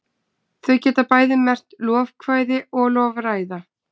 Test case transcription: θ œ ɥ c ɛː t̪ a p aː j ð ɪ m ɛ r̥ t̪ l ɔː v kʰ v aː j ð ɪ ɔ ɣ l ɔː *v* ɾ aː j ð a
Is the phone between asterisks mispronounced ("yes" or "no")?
no